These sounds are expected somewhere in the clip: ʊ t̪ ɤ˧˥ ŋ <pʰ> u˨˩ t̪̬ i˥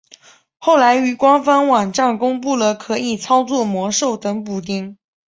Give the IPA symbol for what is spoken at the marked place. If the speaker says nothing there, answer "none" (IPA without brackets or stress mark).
p